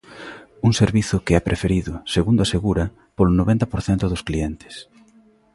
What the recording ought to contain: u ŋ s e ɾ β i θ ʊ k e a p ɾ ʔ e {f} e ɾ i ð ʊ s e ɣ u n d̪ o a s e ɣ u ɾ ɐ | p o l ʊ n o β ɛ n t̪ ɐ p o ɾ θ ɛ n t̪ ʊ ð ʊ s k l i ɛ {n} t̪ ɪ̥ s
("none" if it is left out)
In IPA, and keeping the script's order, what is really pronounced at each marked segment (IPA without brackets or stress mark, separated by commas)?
f, n